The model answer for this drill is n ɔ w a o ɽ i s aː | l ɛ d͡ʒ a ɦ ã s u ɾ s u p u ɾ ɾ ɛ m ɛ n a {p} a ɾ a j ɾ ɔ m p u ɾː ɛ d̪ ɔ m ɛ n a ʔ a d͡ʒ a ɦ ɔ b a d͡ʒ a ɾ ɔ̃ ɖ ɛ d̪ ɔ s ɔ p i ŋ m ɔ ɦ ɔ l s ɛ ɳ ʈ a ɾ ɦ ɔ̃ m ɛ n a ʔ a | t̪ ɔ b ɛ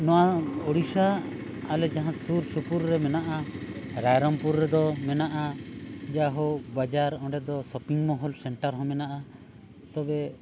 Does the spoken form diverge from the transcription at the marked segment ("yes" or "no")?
yes